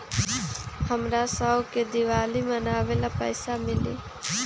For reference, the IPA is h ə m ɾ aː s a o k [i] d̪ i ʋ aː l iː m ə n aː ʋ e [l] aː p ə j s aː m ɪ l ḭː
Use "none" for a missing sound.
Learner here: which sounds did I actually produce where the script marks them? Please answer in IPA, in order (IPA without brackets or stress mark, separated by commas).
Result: e, l